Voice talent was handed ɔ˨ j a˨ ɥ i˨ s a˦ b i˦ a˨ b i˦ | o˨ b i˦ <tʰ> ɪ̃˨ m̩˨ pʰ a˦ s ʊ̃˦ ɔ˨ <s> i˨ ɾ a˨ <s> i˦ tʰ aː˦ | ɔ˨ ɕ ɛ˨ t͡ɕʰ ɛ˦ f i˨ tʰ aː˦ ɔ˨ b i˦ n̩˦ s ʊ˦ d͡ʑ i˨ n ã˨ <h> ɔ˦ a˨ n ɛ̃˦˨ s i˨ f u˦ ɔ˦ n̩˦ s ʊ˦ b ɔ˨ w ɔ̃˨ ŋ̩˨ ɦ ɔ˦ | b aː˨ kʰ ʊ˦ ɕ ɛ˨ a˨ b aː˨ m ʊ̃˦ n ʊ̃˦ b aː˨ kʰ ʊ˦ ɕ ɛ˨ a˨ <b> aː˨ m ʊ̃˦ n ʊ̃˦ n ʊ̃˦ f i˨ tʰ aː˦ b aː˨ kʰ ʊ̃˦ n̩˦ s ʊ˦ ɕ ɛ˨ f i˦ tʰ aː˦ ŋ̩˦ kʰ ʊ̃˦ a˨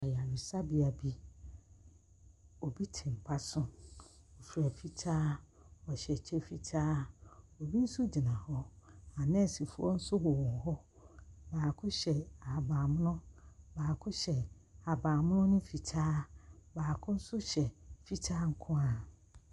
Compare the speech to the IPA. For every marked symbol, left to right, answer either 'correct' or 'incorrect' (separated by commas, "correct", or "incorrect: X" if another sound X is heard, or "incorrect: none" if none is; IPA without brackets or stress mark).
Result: correct, incorrect: f, incorrect: f, correct, correct